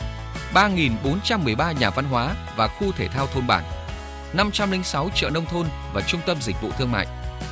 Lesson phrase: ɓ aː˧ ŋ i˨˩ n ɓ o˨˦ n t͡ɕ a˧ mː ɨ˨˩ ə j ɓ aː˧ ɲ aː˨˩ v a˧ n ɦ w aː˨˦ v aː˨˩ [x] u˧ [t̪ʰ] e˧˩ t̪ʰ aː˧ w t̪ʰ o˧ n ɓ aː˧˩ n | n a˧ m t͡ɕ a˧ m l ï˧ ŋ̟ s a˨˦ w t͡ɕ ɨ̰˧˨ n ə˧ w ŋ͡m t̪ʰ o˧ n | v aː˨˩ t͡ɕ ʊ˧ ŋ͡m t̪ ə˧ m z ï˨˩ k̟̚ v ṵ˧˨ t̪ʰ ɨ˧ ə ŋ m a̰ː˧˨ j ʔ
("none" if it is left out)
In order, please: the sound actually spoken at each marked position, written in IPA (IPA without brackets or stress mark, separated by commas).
x, t̪ʰ